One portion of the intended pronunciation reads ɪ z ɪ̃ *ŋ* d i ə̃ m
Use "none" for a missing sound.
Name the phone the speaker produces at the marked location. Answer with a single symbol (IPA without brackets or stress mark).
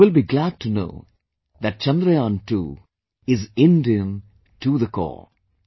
n